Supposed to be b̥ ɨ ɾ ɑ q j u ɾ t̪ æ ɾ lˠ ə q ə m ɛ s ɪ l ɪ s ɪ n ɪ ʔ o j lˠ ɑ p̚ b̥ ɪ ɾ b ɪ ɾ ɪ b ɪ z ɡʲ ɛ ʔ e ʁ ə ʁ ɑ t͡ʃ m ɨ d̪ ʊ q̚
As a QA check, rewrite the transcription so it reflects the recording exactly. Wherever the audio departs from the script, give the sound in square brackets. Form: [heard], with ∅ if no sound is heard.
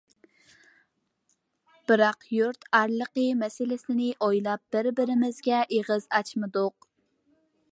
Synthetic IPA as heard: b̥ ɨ ɾ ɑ q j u ɾ t̪ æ ɾ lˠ ə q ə m ɛ s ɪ l ɪ s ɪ n ɪ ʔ o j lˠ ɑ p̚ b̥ ɪ ɾ b ɪ ɾ ɪ [m] ɪ z ɡʲ ɛ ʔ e ʁ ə [z] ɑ t͡ʃ m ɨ d̪ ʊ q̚